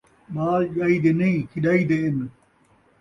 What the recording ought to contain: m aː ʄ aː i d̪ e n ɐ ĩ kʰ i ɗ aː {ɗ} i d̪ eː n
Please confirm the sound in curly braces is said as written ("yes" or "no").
no